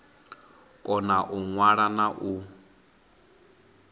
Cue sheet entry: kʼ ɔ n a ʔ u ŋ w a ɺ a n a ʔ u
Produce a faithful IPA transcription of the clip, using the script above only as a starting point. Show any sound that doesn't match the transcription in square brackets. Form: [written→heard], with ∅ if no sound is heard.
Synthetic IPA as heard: kʼ ɔ n a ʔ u ŋ w a ɺ a n a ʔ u